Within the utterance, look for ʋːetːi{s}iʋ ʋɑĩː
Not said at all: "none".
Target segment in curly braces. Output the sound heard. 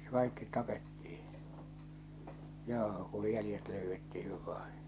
h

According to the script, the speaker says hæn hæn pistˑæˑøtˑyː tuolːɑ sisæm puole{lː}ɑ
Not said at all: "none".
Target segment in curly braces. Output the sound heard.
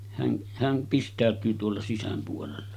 lː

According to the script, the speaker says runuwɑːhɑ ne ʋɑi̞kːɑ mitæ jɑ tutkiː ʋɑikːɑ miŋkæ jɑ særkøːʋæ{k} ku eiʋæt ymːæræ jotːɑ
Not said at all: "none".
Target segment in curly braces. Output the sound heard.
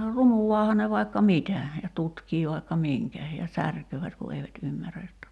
t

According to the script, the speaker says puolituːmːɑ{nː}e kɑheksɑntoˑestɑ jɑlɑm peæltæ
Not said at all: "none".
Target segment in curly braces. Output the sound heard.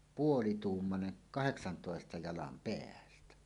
n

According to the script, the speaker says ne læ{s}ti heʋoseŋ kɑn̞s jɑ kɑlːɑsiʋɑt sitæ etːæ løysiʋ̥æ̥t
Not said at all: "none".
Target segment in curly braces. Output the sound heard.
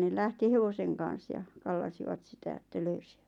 h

